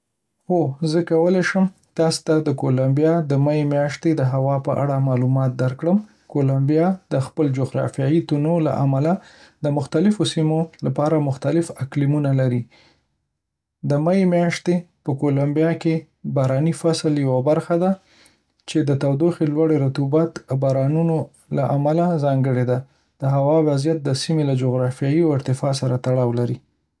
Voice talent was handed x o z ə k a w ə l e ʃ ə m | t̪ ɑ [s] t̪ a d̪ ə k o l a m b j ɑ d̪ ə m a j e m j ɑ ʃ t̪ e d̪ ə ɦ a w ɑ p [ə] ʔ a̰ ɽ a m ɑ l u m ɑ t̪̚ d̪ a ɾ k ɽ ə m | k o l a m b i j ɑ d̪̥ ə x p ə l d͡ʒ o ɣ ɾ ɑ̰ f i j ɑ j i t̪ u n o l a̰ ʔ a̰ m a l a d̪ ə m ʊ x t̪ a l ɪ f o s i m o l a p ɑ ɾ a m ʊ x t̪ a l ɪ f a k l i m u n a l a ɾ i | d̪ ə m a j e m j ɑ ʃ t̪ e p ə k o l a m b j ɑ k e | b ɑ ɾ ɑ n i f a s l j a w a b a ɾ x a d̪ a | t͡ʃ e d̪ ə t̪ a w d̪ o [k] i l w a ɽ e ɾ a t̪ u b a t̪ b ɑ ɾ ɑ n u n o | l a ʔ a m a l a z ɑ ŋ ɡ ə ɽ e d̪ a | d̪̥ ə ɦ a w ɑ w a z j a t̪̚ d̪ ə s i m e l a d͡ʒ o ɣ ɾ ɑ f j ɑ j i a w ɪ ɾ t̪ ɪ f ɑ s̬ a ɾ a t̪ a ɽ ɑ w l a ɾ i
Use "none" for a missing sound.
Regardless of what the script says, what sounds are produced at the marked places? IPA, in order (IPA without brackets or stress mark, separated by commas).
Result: s, ə, x